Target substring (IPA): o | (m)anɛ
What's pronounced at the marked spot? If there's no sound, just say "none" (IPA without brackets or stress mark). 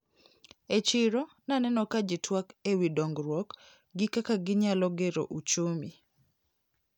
n